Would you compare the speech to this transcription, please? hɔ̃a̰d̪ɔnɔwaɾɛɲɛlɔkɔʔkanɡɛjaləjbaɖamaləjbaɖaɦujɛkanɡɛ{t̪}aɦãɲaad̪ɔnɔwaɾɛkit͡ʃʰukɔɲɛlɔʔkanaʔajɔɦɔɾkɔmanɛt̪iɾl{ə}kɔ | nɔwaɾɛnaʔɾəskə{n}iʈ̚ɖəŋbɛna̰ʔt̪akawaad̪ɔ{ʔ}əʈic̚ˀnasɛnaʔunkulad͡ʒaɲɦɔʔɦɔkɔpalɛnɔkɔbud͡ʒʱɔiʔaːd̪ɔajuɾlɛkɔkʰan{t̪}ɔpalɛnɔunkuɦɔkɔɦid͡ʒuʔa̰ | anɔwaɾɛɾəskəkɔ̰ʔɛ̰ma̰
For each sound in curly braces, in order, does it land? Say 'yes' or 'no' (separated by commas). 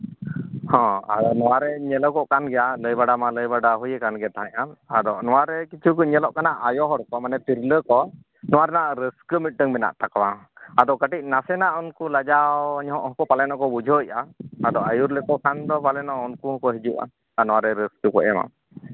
yes, yes, no, no, no